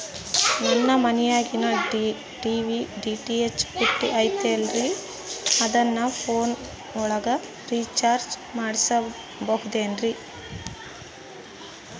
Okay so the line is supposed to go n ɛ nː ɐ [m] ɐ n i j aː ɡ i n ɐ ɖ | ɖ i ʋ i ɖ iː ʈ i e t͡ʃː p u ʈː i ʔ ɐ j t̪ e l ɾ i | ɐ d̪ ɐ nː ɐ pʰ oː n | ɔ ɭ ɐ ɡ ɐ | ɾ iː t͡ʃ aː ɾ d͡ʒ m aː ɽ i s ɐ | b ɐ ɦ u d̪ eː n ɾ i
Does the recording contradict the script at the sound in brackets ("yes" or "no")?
no